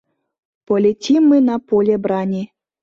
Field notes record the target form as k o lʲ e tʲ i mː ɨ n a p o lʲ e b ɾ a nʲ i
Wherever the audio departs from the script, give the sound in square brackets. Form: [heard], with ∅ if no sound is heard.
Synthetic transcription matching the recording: [p] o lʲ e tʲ i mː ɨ n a p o lʲ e b ɾ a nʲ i